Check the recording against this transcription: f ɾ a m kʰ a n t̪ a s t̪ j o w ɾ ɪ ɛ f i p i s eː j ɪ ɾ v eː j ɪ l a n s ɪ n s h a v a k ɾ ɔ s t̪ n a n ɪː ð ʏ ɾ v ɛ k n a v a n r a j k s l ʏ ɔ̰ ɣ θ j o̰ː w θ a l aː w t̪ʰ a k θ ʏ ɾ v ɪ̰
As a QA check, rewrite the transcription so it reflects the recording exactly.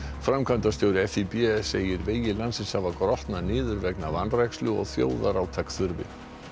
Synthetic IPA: f ɾ a m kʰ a n t̪ a s t̪ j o w ɾ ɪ ɛ f i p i s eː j ɪ ɾ v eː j ɪ l a n s ɪ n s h a v a k ɾ ɔ h t̪ n a n ɪː ð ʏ ɾ v ɛ k n a v a n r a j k s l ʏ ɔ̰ ɣ θ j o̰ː w ð a ɾ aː w t̪ʰ a k θ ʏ ɾ v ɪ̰